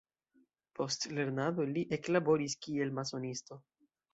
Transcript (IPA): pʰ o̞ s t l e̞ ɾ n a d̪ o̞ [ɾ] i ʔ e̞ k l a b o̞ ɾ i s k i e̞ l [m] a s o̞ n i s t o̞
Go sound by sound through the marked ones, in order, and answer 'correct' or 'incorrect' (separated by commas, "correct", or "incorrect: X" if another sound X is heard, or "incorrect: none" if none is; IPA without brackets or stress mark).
incorrect: l, correct